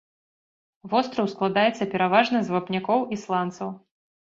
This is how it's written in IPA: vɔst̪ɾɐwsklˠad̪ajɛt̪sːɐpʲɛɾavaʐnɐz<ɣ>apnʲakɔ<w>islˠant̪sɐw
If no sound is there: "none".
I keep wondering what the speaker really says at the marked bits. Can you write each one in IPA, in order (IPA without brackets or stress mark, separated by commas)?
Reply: v, w